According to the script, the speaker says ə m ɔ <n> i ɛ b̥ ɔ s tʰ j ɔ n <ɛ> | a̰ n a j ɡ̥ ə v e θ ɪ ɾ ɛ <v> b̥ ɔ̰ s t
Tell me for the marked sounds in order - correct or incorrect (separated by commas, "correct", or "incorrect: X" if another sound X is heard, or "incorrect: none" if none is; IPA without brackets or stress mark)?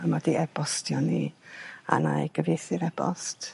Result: incorrect: d, incorrect: i, incorrect: none